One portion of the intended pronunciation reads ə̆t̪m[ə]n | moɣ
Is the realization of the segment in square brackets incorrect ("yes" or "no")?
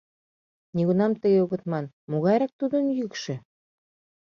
yes